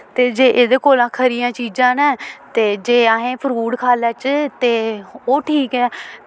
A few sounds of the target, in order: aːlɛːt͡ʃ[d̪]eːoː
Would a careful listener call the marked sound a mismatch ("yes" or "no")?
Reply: yes